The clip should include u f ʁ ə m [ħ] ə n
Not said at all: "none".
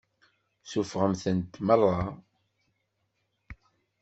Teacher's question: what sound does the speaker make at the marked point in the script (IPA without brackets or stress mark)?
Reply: θ